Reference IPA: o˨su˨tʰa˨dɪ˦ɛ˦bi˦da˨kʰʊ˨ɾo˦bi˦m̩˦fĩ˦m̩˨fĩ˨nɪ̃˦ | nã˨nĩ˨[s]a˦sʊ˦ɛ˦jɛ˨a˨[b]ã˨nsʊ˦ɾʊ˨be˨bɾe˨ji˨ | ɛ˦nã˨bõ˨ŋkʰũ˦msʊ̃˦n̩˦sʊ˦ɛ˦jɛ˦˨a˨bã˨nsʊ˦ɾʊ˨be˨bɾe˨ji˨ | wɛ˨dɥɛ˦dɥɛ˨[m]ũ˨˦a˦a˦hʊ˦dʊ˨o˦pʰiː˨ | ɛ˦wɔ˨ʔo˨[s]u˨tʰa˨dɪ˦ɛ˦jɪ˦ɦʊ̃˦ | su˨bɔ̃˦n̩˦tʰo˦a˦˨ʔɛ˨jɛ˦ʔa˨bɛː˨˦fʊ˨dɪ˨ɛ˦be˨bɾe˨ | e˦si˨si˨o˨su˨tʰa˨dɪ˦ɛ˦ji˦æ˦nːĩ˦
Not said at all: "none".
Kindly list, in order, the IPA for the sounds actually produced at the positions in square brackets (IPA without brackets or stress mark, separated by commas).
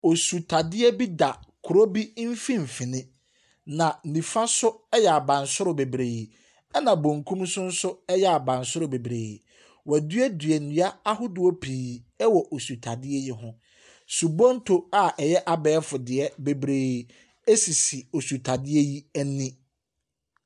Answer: f, b, n, s